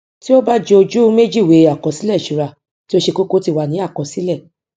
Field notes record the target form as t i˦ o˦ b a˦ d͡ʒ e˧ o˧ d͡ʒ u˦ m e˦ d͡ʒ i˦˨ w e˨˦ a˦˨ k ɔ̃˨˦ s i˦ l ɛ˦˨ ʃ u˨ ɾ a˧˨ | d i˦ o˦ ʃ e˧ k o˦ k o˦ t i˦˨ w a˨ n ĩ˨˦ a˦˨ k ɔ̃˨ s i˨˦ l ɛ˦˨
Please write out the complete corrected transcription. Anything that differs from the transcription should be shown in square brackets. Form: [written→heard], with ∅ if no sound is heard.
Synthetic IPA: t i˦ o˦ b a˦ d͡ʒ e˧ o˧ d͡ʒ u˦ m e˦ d͡ʒ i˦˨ w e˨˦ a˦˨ k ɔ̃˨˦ s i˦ l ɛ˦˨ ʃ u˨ ɾ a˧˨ | [d→t] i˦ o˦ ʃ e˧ k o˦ k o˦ t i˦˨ w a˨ n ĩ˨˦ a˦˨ k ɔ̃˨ s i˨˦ l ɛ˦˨